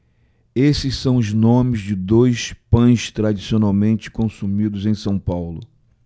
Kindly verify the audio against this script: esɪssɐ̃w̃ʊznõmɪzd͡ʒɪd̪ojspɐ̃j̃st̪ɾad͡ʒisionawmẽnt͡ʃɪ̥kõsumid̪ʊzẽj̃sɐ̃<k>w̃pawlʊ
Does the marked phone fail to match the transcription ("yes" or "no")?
yes